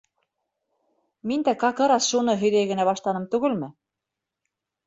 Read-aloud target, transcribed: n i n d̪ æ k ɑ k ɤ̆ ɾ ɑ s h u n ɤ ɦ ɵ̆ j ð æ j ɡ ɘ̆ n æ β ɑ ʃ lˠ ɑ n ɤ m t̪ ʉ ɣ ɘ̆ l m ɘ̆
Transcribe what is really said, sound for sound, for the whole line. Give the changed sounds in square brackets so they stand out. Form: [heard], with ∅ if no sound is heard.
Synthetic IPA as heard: [m] i n d̪ æ k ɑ k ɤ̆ ɾ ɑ s [ʃ] u n ɤ ɦ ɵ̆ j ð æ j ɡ ɘ̆ n æ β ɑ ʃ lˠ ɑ n ɤ m t̪ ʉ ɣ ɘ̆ l m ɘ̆

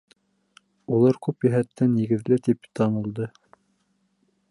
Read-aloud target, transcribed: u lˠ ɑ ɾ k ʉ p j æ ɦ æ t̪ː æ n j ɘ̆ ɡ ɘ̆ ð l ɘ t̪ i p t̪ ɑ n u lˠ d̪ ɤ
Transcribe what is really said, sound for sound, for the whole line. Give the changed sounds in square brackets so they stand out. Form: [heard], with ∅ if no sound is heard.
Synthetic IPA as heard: u lˠ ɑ ɾ k ʉ p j æ ɦ æ t̪ː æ n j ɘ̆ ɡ ɘ̆ ð l ɘ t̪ i p t̪ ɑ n u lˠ d̪ ɤ

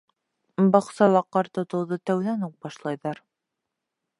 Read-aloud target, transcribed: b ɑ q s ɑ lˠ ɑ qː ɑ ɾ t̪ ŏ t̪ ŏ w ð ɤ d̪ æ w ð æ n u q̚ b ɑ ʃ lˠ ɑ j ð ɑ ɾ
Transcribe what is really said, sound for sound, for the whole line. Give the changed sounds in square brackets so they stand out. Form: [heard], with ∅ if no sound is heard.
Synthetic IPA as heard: b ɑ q s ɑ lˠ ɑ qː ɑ ɾ t̪ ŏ t̪ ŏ w ð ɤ [t̪] æ w ð æ n u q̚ b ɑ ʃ lˠ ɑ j ð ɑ ɾ

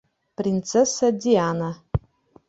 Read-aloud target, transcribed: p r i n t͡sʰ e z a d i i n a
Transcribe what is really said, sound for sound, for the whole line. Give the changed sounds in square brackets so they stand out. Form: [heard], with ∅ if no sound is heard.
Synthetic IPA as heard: p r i n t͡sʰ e [s] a d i [a] n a

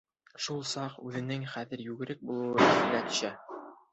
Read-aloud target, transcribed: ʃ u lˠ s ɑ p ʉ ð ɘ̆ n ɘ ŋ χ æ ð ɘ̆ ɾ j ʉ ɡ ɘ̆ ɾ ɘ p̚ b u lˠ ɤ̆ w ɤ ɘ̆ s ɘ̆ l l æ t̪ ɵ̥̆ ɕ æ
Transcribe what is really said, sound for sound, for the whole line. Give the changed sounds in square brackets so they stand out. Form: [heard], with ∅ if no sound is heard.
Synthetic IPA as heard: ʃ u lˠ s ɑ [q] ʉ ð ɘ̆ n ɘ ŋ χ æ ð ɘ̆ ɾ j ʉ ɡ ɘ̆ ɾ ɘ [k̚] b u lˠ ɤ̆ w ɤ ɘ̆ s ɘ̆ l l æ t̪ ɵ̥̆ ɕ æ

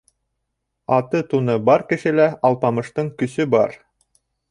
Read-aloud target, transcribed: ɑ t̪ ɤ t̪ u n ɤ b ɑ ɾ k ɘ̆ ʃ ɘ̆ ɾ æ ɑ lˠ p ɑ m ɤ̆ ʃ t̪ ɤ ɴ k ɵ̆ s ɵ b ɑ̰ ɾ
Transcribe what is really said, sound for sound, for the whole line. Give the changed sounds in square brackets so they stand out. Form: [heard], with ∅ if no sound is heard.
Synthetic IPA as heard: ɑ t̪ ɤ t̪ u n ɤ b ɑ ɾ k ɘ̆ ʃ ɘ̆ [l] æ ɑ lˠ p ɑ m ɤ̆ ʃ t̪ ɤ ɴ k ɵ̆ s ɵ b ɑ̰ ɾ

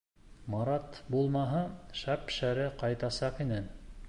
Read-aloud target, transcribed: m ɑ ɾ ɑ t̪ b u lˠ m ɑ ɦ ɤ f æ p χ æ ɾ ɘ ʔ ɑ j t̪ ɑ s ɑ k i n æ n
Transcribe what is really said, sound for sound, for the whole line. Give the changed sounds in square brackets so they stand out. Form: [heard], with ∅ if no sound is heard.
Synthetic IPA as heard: m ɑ ɾ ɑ t̪ b u lˠ m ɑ ɦ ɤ [ʃ] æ p [ʃ] æ ɾ ɘ [q] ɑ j t̪ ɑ s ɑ [q] i n æ n

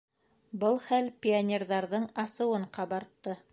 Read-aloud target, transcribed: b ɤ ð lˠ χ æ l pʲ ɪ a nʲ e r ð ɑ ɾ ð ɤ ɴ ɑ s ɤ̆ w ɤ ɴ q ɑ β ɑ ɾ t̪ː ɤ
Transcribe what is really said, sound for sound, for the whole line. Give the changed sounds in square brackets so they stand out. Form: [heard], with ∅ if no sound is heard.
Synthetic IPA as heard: b ɤ [∅] lˠ χ æ l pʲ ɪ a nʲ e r ð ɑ ɾ ð ɤ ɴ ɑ s ɤ̆ w ɤ ɴ q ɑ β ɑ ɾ t̪ː ɤ

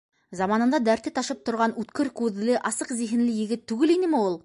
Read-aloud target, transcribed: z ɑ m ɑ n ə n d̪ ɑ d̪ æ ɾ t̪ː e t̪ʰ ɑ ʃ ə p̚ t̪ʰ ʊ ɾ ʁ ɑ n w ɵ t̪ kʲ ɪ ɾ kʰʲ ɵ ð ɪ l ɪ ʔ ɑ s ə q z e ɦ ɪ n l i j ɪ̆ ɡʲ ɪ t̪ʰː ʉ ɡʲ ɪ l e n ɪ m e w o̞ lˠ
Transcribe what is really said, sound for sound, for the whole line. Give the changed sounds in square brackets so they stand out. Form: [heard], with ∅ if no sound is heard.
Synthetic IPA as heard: z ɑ m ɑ n ə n d̪ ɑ d̪ æ ɾ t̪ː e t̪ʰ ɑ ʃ ə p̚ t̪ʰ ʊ ɾ ʁ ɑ n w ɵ t̪ kʲ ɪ ɾ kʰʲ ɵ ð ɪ l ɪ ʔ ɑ s ə q z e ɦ ɪ n l [ɪ] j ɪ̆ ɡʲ ɪ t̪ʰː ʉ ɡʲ ɪ l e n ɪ m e w o̞ lˠ

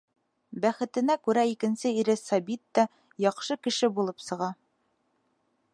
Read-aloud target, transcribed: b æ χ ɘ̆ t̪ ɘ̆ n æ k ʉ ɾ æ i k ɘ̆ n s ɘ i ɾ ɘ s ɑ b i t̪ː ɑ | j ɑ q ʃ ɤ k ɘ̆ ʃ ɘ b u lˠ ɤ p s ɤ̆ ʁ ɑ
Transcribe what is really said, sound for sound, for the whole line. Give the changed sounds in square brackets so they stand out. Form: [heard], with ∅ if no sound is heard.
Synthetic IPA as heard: b æ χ ɘ̆ t̪ ɘ̆ n æ k ʉ ɾ æ i k ɘ̆ n s ɘ i ɾ ɘ s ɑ b i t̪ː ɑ | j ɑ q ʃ ɤ k ɘ̆ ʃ ɘ b u lˠ ɤ p s ɤ̆ ʁ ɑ

